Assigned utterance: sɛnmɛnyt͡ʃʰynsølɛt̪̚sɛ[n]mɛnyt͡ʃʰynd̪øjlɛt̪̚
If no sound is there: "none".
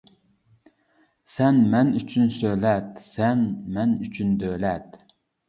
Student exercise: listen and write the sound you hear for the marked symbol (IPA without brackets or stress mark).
n